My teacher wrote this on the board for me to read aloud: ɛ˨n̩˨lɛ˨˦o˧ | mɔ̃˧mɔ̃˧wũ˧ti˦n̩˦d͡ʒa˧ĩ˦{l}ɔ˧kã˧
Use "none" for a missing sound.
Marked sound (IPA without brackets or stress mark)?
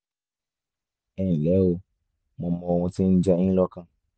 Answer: l